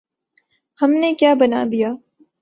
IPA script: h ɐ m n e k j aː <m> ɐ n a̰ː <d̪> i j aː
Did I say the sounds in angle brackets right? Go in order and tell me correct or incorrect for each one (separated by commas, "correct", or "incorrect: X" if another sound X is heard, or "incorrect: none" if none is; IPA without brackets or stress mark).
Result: incorrect: b, correct